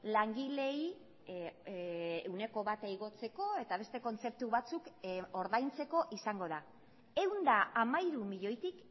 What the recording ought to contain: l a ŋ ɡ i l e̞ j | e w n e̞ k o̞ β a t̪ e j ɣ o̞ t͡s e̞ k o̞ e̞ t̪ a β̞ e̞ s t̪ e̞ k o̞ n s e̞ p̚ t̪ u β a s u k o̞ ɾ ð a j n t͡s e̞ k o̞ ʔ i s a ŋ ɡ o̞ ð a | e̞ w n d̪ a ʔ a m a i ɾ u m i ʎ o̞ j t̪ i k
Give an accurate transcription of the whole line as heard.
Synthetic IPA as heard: l a ŋ ɡ i l e̞ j | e w n e̞ k o̞ β a t̪ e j ɣ o̞ t͡s e̞ k o̞ e̞ t̪ a β̞ e̞ s t̪ e̞ k o̞ n t͡s e̞ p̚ t̪ u β a t͡s u k o̞ ɾ ð a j n t͡s e̞ k o̞ ʔ i s a ŋ ɡ o̞ ð a | e̞ w n d̪ a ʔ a m a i ɾ u m i ʎ o̞ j t̪ i k

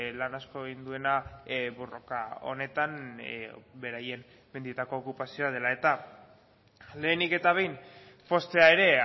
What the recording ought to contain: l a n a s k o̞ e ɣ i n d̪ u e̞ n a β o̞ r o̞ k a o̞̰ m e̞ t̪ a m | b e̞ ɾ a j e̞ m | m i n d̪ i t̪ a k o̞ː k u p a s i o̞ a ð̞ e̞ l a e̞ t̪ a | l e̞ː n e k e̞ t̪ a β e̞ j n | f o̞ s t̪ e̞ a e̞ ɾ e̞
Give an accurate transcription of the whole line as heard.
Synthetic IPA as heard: l a n a s k o̞ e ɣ i n d̪ u e̞ n a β o̞ r o̞ k a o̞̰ n e̞ t̪ a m | b e̞ ɾ a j e̞ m | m e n d̪ i t̪ a k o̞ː k u p a s i o̞ a ð̞ e̞ l a e̞ t̪ a | l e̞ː n i k e̞ t̪ a β e̞ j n | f o̞ s t̪ e̞ a e̞ ɾ e̞

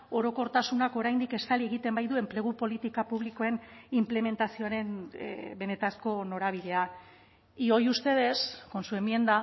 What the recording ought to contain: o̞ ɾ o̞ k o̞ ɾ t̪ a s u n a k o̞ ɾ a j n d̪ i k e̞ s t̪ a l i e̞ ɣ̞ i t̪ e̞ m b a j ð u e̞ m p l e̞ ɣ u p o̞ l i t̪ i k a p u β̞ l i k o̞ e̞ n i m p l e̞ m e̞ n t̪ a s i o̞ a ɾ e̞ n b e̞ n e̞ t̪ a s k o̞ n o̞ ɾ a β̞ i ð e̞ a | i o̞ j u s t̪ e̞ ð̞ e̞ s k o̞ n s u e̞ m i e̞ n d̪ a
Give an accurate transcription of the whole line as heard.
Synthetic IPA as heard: o̞ ɾ o̞ k o̞ ɾ t̪ a s u n a k o̞ ɾ a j n d̪ i k e̞ s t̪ a l i e̞ ɣ̞ i t̪ e̞ m b a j ð u e̞ m p l e̞ ɣ u p o̞ l i t̪ i k a p u β̞ l i k o̞ e̞ n i m p l e̞ m e̞ n t̪ a s i o̞ a ɾ e̞ n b e̞ n e̞ t̪ a s k o̞ n o̞ ɾ a β̞ i ð e̞ a | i o̞ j u s t̪ e̞ ð̞ e̞ s k o̞ n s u e̞ m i e̞ n d̪ a

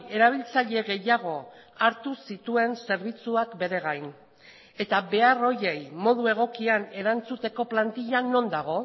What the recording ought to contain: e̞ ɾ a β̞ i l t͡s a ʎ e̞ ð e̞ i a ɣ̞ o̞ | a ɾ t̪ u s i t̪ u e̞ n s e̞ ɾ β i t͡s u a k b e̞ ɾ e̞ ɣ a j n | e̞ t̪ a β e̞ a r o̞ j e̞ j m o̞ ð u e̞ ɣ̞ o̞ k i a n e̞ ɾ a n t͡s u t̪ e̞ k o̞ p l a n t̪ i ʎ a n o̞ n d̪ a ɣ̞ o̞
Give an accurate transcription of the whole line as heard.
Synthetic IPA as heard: e̞ ɾ a β̞ i l t͡s a ʎ e̞ ɣ e̞ j a ɣ̞ o̞ | a ɾ t̪ u s i t̪ u e̞ n s e̞ ɾ β i t͡s u a k b e̞ ɾ e̞ ɣ a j n | e̞ t̪ a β e̞ a r o̞ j e̞ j m o̞ ð u e̞ ɣ̞ o̞ k i a n e̞ ɾ a n t͡s u t̪ e̞ k o̞ p l a n t̪ i ʎ a n o̞ n d̪ a ɣ̞ o̞

